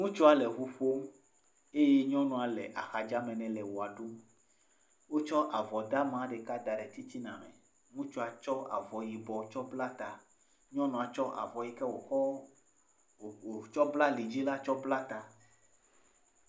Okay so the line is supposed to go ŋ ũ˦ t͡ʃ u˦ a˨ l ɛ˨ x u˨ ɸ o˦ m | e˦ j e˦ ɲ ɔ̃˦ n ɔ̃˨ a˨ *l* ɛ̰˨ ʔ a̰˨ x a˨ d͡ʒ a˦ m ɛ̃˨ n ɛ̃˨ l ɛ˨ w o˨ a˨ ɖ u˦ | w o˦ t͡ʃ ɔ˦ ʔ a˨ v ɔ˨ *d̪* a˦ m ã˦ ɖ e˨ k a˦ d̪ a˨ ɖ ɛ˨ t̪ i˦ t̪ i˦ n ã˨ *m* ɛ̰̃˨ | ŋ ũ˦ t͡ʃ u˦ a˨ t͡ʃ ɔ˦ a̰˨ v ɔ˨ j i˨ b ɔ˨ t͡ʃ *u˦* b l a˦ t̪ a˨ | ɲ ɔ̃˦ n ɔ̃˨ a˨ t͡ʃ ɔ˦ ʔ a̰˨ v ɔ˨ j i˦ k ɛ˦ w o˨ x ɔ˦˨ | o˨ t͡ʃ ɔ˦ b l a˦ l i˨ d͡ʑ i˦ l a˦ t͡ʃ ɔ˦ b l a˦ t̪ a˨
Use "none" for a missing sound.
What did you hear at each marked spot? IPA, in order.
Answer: l, d̪, m, ɔ˦

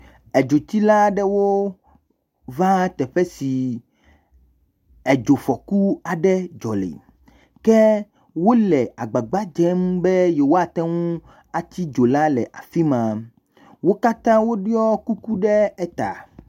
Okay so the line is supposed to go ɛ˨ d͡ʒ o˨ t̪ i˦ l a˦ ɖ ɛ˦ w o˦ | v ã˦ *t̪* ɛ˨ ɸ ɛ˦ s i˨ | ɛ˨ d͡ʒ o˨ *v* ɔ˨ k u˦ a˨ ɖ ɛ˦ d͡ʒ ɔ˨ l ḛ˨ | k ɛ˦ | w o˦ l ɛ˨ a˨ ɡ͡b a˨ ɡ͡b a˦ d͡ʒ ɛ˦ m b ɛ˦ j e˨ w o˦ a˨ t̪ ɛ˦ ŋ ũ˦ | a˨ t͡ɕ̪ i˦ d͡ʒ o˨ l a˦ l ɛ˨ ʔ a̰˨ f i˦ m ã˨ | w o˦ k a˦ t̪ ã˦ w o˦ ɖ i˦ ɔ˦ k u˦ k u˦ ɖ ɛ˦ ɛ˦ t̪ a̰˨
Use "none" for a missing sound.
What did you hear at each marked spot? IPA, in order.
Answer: t̪, f

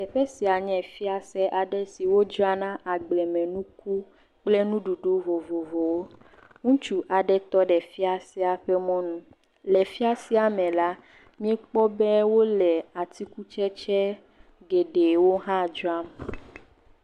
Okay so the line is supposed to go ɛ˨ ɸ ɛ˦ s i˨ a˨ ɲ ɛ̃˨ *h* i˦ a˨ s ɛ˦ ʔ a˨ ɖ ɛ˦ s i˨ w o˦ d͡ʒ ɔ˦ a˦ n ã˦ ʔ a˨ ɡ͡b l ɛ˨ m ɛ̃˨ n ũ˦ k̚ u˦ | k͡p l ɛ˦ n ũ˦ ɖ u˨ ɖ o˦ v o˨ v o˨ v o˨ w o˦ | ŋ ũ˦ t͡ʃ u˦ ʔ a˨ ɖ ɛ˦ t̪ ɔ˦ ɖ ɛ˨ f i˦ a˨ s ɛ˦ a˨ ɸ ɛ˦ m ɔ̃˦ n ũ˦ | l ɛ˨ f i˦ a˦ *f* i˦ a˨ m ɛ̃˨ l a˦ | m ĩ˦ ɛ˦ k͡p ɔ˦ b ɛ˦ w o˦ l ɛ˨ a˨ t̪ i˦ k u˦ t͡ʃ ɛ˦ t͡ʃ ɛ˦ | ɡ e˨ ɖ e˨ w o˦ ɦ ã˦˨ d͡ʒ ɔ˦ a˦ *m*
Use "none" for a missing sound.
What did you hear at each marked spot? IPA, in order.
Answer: f, s, m

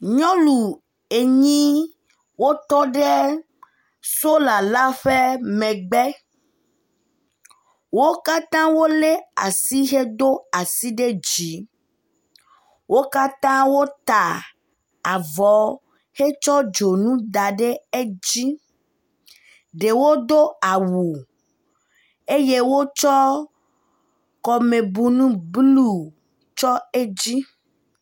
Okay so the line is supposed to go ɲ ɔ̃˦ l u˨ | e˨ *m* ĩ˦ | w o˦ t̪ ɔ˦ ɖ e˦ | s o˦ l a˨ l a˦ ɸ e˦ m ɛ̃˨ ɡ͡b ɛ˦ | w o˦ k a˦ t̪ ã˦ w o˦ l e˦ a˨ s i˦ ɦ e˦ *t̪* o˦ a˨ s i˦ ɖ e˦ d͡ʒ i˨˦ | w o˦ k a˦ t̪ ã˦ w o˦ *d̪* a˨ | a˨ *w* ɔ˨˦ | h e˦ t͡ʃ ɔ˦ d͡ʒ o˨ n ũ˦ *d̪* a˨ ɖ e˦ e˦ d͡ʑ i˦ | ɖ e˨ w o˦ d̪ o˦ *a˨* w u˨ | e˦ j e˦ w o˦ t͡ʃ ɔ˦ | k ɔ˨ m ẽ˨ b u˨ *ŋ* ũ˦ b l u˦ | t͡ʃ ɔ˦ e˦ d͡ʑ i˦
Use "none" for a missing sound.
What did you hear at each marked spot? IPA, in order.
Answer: ɲ, d̪, t̪, v, d̪, a˨, n

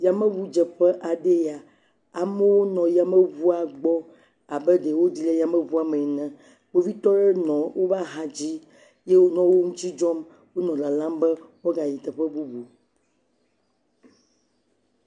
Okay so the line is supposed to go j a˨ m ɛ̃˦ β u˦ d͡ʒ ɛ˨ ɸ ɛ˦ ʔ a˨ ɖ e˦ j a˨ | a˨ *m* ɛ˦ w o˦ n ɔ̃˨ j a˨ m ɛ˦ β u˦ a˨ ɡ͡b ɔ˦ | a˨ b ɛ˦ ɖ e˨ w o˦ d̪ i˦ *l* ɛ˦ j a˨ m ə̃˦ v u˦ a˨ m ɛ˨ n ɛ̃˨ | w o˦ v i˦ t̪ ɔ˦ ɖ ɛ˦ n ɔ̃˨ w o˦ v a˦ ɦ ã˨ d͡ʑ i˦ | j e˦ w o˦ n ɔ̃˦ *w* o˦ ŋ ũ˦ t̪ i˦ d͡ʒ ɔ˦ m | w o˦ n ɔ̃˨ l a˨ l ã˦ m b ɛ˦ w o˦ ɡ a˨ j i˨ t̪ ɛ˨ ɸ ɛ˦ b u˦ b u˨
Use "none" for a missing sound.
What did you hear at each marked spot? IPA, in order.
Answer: m, l, w

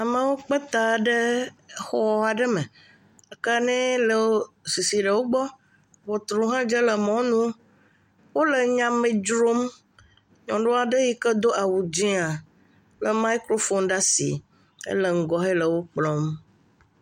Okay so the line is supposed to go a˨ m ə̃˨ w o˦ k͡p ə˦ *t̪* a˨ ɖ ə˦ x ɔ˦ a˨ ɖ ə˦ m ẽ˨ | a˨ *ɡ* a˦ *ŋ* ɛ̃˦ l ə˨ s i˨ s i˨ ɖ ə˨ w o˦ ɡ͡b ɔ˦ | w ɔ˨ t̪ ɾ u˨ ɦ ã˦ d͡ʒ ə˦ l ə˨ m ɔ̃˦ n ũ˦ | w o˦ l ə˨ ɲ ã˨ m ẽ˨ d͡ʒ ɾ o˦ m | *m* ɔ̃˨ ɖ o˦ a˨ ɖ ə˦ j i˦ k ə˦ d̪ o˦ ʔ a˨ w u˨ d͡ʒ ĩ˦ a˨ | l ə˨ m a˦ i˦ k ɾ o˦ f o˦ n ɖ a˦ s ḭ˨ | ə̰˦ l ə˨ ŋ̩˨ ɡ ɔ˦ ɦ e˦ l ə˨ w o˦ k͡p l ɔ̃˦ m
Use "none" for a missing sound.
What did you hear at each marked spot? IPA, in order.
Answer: t̪, k, n, ɲ

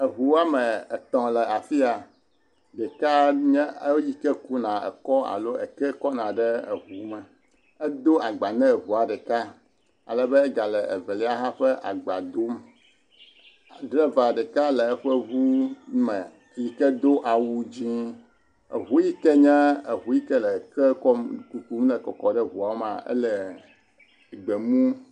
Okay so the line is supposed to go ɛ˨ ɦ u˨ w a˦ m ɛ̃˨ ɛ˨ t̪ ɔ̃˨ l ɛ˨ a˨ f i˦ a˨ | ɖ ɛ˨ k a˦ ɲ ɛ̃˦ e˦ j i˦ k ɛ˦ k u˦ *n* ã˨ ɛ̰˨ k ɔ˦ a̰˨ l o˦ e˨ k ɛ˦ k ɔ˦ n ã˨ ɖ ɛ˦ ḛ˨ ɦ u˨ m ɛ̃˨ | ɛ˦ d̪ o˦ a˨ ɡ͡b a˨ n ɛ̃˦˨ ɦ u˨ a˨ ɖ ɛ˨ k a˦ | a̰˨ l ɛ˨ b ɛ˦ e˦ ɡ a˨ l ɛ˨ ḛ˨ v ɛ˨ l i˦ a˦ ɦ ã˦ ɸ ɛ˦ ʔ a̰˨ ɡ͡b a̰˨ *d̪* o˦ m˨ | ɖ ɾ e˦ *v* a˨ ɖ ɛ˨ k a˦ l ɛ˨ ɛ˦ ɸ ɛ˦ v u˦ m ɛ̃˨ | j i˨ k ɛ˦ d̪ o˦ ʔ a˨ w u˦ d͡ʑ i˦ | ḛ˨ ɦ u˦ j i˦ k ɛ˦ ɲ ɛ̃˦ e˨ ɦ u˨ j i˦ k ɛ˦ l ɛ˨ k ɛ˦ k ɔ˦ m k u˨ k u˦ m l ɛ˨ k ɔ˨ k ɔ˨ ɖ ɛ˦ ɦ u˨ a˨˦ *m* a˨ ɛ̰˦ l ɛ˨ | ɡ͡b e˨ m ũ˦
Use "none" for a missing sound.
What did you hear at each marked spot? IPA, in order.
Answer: n, d̪, v, m

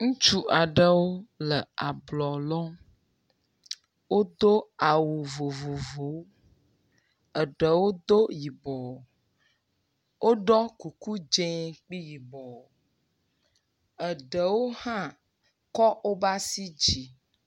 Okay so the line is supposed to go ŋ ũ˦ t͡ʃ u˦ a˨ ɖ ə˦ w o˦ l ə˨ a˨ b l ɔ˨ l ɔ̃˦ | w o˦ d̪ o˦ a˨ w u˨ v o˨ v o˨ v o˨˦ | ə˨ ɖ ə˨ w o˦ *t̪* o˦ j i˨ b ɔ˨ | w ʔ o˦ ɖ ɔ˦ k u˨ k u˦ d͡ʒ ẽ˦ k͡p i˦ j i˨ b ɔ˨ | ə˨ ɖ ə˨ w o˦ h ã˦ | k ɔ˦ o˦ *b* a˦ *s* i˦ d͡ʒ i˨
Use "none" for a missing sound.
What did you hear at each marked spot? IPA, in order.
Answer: d̪, b, s

